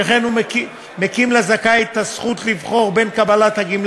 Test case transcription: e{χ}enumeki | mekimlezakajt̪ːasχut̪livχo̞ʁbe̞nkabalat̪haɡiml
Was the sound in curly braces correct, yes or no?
yes